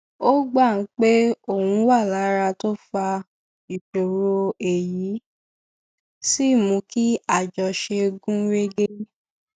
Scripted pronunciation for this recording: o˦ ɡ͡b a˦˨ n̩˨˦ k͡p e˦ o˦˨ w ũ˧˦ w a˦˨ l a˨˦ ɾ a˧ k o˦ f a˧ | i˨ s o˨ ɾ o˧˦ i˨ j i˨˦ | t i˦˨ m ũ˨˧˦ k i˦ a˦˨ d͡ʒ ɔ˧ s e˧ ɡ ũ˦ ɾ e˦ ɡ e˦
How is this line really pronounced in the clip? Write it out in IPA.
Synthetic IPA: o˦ ɡ͡b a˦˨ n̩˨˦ k͡p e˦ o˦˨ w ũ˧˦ w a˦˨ l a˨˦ ɾ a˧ t o˦ f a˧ | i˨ ʃ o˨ ɾ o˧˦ e˨ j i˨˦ | s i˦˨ m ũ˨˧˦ k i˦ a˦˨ d͡ʒ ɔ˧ ʃ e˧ ɡ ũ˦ ɾ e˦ ɡ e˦